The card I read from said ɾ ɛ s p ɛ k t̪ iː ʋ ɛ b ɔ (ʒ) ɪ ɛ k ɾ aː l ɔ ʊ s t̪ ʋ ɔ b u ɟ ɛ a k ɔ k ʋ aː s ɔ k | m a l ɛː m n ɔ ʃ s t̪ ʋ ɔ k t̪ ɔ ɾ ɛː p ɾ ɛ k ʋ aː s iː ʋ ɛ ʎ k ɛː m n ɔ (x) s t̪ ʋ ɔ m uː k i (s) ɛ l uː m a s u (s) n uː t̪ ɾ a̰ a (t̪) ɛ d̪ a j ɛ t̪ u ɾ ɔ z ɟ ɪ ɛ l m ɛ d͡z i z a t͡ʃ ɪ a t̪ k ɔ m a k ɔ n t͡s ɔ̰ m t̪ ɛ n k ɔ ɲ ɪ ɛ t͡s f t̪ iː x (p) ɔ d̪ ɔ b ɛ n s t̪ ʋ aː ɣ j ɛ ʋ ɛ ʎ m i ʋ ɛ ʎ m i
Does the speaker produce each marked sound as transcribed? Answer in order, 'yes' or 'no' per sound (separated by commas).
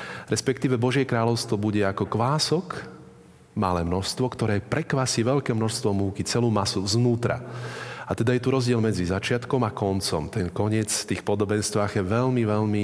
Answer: yes, no, no, no, yes, yes